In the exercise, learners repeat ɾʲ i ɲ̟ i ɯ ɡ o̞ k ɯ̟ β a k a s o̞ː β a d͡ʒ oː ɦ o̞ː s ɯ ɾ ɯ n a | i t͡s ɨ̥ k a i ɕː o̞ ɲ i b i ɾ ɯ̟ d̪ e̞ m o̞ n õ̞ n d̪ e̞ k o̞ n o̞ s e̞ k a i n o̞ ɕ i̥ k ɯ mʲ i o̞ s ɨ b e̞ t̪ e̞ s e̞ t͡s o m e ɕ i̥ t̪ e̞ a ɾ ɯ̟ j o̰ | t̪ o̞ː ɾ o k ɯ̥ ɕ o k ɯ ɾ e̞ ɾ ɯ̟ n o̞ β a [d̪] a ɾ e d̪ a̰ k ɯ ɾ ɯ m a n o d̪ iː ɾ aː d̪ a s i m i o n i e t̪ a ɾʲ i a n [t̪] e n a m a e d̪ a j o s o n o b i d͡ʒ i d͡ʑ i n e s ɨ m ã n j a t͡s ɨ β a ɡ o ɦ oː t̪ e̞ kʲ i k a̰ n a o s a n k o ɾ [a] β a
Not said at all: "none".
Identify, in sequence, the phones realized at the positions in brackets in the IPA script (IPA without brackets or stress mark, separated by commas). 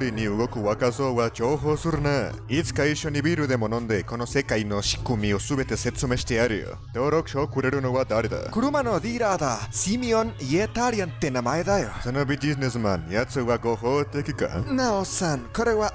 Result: d̪, t̪, e